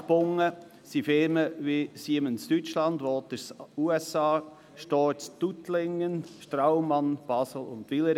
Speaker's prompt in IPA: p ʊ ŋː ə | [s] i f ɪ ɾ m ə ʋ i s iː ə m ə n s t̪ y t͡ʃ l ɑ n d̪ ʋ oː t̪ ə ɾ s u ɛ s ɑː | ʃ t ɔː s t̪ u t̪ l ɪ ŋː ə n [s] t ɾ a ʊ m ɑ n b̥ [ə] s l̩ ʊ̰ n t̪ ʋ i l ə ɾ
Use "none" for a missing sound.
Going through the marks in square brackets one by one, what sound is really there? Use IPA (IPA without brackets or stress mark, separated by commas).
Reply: s, ʃ, ɑ